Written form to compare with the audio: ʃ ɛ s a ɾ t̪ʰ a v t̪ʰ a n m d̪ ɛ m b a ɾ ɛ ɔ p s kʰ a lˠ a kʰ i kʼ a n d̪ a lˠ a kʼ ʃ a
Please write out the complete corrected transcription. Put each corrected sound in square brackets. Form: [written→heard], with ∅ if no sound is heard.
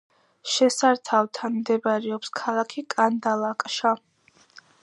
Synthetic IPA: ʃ ɛ s a ɾ t̪ʰ a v t̪ʰ a n m d̪ ɛ [m→∅] b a ɾ ɛ ɔ p s kʰ a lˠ a kʰ i kʼ a n d̪ a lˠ a kʼ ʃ a